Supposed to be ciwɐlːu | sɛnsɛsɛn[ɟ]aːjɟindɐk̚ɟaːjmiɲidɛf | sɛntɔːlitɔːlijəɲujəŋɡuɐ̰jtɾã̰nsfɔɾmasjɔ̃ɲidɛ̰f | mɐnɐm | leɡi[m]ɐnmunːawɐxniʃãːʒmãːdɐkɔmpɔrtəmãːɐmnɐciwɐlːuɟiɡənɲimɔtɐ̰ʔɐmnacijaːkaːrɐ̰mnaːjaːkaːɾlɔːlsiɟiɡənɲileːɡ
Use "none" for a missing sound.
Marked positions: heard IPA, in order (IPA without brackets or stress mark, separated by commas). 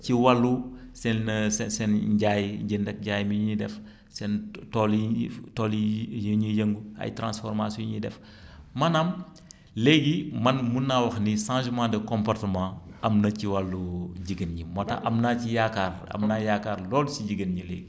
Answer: ɟ, m